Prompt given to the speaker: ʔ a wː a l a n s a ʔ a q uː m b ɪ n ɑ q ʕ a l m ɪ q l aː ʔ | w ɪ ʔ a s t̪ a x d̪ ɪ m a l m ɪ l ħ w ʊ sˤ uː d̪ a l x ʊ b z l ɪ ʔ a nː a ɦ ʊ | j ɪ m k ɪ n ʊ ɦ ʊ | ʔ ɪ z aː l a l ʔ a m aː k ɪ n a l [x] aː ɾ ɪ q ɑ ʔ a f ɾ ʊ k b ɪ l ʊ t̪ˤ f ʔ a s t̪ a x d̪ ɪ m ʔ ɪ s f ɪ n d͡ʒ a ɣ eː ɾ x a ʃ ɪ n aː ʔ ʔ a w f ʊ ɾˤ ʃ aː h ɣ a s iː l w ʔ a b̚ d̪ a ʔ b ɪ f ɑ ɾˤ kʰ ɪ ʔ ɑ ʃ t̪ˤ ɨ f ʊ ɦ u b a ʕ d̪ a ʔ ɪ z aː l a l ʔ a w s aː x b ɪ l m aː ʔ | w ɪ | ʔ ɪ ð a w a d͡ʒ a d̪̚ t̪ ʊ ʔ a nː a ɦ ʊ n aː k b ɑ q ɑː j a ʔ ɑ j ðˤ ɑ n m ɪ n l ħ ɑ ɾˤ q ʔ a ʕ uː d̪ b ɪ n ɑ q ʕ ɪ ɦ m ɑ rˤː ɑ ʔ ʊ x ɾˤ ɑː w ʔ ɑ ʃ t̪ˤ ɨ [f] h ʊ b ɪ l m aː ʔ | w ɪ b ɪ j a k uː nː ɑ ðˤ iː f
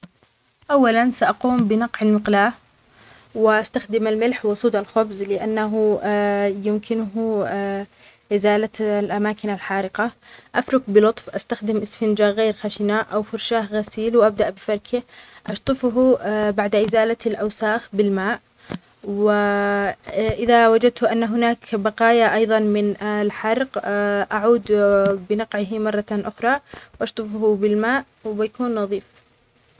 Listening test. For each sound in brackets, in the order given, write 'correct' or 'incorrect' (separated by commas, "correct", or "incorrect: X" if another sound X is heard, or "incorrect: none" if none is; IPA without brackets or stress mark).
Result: incorrect: ħ, correct